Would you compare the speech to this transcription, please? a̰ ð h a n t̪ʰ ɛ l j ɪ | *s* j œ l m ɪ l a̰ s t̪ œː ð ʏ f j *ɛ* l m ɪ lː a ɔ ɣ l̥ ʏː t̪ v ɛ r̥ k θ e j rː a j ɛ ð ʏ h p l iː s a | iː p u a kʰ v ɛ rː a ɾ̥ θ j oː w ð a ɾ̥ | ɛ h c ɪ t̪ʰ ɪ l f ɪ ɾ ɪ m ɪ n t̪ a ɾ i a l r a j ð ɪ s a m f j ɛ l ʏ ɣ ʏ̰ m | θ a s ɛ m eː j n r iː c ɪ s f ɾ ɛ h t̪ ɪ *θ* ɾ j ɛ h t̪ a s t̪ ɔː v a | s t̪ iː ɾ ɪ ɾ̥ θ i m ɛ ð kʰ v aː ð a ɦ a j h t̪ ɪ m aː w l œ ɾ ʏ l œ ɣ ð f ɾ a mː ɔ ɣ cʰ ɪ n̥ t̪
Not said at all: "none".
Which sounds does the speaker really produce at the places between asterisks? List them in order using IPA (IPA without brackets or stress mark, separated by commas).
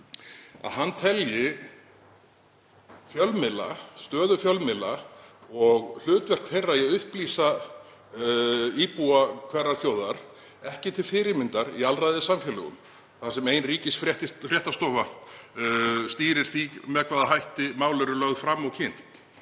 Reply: f, œ, f